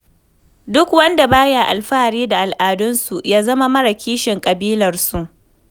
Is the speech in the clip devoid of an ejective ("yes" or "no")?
no